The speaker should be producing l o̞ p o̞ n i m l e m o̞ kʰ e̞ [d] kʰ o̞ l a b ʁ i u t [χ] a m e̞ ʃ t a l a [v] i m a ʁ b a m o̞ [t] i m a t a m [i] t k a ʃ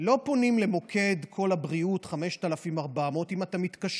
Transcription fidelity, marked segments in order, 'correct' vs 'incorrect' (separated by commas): correct, correct, incorrect, correct, correct